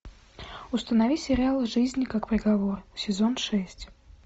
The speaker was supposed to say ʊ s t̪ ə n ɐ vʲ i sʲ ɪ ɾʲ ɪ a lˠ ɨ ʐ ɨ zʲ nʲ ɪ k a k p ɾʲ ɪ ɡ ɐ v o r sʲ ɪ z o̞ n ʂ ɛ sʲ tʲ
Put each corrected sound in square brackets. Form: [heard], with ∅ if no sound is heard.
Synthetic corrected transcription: ʊ s t̪ ə n ɐ vʲ i sʲ ɪ ɾʲ ɪ a lˠ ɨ ʐ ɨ zʲ nʲ ɪ k a k p ɾʲ ɪ ɡ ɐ v o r sʲ ɪ z o̞ n ʂ ɛ sʲ tʲ